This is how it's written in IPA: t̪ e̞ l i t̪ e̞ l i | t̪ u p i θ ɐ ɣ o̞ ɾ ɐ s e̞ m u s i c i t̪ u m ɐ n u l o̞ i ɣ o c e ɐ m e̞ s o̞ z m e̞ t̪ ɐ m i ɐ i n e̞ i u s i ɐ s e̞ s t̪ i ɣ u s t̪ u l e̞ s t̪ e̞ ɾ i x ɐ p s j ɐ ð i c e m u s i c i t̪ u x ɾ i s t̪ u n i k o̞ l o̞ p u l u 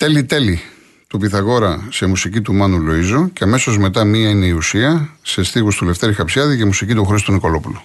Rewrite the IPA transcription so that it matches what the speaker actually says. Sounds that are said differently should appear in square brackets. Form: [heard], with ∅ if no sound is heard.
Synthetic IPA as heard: t̪ e̞ l i t̪ e̞ l i | t̪ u p i θ ɐ ɣ o̞ ɾ ɐ s e̞ m u s i c i t̪ u m ɐ n u l o̞ i [z] o c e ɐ m e̞ s o̞ z m e̞ t̪ ɐ m i ɐ i n e̞ i u s i ɐ s e̞ s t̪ i ɣ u s t̪ u l e̞ [f] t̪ e̞ ɾ i x ɐ p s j ɐ ð i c e m u s i c i t̪ u x ɾ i s t̪ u n i k o̞ l o̞ p u l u